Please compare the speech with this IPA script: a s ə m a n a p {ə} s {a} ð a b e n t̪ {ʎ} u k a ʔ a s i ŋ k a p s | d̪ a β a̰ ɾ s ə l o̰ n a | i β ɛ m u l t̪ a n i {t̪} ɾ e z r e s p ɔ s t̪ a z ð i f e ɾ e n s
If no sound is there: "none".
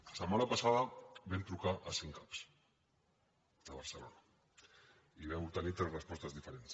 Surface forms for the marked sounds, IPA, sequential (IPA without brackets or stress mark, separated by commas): a, a, ɾ, t̪